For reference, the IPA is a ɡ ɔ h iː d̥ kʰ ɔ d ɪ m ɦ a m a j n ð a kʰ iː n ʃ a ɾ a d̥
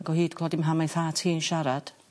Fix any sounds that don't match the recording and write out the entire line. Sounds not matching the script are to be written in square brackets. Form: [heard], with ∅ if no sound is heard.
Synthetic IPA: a ɡ ɔ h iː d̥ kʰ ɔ d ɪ m ɦ a m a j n [θ] a [tʰ] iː n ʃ a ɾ a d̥